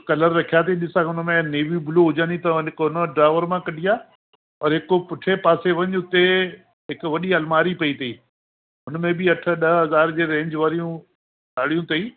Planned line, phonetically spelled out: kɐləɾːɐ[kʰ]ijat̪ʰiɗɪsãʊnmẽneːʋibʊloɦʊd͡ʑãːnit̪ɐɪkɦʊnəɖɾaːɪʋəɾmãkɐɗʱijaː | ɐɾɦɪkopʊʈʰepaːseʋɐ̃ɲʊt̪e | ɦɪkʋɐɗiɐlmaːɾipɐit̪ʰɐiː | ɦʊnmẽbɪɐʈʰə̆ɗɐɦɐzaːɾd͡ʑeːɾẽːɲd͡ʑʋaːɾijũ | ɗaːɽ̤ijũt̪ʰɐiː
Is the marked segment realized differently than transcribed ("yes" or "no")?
no